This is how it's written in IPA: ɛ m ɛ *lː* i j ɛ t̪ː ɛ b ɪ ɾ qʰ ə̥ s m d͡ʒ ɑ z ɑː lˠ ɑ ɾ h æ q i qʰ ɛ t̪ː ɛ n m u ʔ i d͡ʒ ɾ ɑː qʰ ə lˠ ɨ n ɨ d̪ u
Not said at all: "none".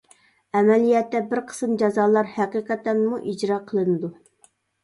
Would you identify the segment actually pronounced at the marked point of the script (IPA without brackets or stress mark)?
l